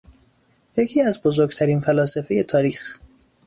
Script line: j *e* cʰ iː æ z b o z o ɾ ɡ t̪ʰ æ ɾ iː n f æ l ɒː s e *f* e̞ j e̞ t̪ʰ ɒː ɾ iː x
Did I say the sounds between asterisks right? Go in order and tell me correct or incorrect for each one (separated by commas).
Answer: correct, correct